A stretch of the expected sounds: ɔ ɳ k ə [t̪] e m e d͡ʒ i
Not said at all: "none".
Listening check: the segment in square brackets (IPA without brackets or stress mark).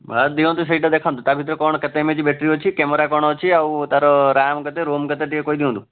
t̪